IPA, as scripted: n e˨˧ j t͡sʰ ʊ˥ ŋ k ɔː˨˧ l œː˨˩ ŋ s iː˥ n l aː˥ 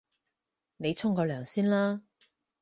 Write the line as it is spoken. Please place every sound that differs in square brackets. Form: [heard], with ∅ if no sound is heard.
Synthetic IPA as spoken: n e˨˧ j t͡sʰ ʊ˥ ŋ k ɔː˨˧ l œː˨˩ ŋ s iː˥ n l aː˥